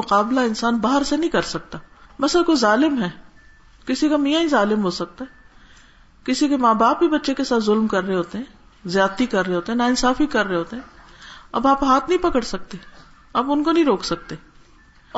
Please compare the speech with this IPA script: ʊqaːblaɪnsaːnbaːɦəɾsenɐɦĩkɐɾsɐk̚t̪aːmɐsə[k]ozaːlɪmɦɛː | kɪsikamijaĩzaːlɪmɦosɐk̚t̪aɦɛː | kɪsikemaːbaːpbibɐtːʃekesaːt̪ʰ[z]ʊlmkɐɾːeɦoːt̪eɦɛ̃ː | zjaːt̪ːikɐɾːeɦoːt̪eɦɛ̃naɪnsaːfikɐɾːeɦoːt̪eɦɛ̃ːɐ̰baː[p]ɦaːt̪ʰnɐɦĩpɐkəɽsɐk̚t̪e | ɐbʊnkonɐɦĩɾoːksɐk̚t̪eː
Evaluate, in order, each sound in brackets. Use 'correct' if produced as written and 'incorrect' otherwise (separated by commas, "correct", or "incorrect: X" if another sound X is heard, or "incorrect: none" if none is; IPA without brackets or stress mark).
correct, correct, correct